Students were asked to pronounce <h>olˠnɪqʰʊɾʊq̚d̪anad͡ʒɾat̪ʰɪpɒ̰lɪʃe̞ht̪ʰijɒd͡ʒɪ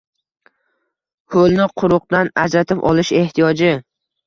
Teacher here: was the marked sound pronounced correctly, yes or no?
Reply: yes